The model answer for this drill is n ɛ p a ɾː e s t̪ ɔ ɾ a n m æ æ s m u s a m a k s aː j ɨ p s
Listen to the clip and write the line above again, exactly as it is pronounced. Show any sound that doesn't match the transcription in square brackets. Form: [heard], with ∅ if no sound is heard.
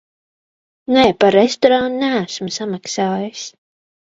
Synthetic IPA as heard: n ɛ p a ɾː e s t̪ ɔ ɾ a n [n] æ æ s m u s a m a k s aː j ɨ [∅] s